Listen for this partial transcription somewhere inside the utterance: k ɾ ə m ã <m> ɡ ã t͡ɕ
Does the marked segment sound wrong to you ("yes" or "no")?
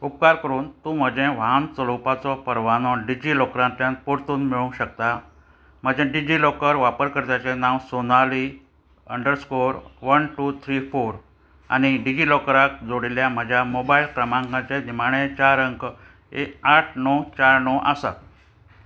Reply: yes